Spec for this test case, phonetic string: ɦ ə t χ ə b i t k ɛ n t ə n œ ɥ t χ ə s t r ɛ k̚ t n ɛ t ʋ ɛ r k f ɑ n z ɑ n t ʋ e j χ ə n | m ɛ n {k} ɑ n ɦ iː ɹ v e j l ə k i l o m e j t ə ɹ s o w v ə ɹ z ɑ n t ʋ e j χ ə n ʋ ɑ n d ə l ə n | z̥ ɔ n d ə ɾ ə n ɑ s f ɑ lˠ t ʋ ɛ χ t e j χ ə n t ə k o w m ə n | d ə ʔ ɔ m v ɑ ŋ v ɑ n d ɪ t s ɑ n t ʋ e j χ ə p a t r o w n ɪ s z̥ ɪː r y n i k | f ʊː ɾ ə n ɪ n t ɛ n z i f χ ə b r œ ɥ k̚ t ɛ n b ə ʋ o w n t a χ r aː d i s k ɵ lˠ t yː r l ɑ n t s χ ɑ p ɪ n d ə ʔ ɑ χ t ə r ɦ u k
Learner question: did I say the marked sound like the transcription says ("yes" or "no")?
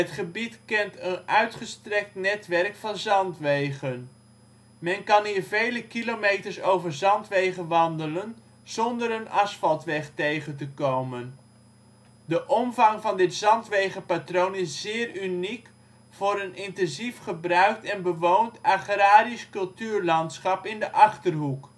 yes